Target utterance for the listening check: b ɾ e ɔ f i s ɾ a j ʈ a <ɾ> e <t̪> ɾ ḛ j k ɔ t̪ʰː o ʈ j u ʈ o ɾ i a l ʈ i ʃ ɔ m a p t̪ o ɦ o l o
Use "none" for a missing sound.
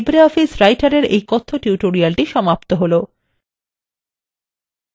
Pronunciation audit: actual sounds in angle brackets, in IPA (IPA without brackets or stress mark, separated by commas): ɾ, none